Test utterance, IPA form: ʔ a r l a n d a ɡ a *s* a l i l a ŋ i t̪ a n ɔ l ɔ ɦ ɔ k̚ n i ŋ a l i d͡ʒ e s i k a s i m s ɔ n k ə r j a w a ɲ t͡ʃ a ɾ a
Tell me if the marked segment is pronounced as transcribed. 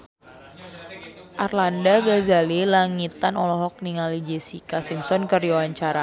no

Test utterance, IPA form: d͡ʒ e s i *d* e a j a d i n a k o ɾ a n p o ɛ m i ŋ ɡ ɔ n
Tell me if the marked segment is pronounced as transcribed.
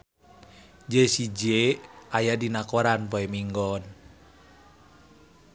no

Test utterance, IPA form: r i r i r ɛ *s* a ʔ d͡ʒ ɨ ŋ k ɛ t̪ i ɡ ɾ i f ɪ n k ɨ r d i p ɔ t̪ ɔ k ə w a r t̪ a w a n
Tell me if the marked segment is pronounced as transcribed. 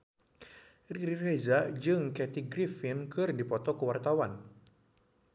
no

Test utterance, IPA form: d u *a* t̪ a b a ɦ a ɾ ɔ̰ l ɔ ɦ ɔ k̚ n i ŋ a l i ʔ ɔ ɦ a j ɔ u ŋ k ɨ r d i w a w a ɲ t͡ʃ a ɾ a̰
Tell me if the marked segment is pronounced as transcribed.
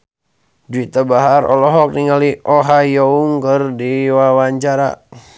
no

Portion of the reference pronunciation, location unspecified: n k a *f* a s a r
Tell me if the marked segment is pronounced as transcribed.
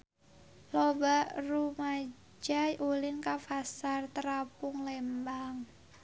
yes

